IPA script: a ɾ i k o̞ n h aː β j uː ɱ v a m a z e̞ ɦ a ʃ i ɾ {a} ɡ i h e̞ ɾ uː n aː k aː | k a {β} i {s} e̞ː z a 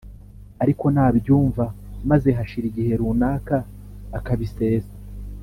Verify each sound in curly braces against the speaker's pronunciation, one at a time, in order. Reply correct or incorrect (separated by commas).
incorrect, correct, correct